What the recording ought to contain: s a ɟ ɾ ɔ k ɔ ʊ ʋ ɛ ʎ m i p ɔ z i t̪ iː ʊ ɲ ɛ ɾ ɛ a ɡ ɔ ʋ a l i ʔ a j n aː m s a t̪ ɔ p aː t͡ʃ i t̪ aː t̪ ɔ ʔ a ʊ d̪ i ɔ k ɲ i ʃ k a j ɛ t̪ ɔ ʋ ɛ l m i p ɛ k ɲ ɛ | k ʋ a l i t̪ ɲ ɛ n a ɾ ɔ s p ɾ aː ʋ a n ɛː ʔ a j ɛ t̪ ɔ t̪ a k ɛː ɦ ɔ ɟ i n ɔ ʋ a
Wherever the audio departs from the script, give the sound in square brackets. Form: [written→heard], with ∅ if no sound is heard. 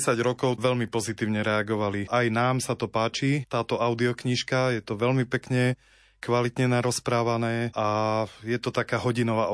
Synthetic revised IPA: s a ɟ ɾ ɔ k ɔ ʊ ʋ ɛ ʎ m i p ɔ z i t̪ iː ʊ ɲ ɛ ɾ ɛ a ɡ ɔ ʋ a l i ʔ a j n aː m s a t̪ ɔ p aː t͡ʃ i t̪ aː t̪ ɔ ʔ a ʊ d̪ i ɔ k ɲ i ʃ k a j ɛ t̪ ɔ ʋ ɛ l m i p ɛ k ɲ ɛ | k ʋ a l i t̪ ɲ ɛ n a ɾ ɔ s p ɾ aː ʋ a n ɛː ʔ a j ɛ t̪ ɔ t̪ a k [ɛː→aː] ɦ ɔ ɟ i n ɔ ʋ a